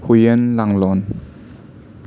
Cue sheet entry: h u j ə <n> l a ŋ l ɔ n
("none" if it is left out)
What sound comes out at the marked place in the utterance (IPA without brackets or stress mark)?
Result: n